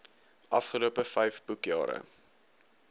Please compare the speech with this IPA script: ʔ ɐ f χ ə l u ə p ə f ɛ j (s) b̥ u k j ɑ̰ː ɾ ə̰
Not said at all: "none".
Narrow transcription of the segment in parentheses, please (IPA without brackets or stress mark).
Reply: f